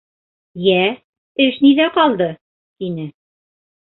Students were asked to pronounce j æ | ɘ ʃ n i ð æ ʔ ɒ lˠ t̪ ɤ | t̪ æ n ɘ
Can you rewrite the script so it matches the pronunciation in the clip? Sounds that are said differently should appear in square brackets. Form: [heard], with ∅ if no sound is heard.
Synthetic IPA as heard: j æ | ɘ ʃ n i ð æ [q] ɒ lˠ [d̪] ɤ | t̪ [i] n ɘ